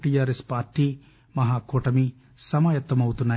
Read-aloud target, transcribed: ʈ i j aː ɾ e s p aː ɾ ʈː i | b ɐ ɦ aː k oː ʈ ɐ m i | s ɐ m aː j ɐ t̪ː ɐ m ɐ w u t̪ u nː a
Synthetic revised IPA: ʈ i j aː ɾ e s p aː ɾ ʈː i | m ɐ ɦ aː k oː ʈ ɐ m i | s ɐ m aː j ɐ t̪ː ɐ m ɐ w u t̪ u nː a